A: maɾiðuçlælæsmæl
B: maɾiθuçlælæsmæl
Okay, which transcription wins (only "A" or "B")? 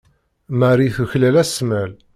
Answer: B